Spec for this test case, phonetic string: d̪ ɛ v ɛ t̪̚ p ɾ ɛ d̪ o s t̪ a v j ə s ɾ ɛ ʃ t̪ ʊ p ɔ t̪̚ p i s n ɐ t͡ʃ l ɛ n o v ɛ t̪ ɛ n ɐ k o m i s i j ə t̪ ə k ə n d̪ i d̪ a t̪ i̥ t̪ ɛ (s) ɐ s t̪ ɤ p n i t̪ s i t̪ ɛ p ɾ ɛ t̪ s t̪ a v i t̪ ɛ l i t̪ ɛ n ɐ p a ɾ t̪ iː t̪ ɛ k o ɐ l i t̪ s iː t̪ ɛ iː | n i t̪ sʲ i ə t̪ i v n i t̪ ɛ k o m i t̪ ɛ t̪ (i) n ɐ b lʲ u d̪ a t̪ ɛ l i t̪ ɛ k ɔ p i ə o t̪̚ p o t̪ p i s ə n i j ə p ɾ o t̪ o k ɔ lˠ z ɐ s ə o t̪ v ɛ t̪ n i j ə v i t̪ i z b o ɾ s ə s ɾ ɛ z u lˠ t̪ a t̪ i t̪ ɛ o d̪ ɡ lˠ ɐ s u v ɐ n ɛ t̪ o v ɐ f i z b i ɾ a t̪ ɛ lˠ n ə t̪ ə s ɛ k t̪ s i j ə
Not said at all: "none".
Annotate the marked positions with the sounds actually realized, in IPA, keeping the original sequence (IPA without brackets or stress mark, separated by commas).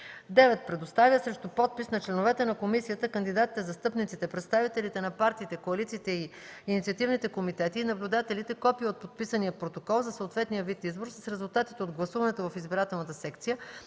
z, iː